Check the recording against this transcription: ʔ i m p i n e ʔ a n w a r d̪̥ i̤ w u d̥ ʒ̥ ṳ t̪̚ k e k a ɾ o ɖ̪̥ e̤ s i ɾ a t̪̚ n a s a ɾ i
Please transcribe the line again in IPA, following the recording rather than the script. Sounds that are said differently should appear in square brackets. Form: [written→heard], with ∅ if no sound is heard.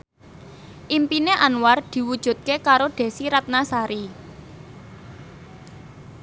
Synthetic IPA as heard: ʔ i m p i n e ʔ a n w a r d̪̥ i̤ w u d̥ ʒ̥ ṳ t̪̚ k e k a ɾ o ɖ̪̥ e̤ s i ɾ a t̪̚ n a s a ɾ i